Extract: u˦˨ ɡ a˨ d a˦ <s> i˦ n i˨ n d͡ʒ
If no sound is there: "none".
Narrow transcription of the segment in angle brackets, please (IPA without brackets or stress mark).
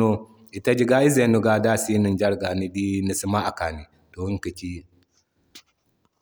s